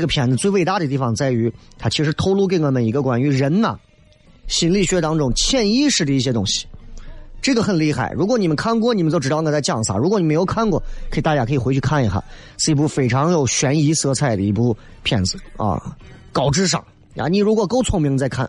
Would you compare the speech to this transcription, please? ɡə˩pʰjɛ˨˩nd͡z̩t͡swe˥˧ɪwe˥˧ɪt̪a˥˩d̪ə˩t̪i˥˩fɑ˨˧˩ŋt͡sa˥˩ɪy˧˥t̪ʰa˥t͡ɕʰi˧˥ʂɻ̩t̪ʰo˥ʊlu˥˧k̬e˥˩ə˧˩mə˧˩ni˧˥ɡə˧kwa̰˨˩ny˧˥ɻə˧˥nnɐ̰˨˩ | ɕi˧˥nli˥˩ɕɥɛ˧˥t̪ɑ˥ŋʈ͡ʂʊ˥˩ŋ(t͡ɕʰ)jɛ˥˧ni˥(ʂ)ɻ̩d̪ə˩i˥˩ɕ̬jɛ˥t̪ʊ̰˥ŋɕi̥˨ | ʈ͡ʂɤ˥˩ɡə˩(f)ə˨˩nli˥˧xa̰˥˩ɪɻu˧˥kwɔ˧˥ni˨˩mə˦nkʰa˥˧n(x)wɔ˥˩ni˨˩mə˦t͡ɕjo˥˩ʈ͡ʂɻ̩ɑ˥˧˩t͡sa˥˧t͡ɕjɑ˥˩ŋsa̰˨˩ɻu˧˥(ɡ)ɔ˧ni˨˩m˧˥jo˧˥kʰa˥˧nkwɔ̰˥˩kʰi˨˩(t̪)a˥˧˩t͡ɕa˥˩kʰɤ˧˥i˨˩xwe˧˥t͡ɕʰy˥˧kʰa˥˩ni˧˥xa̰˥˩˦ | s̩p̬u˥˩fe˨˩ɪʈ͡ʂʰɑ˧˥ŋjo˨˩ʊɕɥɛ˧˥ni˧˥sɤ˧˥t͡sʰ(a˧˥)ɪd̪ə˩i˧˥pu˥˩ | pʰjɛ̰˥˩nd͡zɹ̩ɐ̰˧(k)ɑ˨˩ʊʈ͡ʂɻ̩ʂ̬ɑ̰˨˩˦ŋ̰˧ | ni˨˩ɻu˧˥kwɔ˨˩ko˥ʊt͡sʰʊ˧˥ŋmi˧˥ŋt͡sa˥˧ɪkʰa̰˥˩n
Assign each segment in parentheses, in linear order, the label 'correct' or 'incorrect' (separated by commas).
correct, correct, incorrect, incorrect, incorrect, correct, incorrect, correct